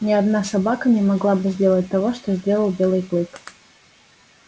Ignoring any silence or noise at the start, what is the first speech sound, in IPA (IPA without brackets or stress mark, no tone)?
nʲ